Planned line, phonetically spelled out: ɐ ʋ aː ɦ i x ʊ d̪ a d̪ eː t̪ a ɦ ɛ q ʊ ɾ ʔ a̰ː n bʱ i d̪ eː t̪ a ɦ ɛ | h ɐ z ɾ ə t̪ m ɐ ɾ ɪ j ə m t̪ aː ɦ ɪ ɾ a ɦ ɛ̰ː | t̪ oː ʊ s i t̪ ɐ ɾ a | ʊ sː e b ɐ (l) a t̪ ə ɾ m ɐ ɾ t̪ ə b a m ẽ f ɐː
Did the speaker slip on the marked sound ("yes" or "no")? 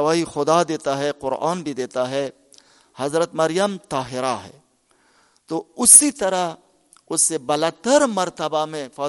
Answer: no